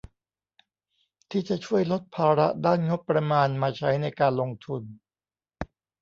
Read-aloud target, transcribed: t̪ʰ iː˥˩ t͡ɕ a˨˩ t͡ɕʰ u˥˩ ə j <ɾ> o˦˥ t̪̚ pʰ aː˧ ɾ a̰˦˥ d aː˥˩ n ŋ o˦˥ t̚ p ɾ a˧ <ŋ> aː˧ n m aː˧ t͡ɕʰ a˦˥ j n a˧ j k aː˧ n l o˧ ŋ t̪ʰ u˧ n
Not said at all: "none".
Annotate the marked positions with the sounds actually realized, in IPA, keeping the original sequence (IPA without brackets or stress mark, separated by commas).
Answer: l, m